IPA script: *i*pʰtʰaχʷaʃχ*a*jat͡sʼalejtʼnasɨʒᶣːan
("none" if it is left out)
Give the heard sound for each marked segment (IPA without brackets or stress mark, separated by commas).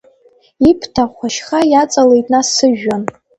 i, a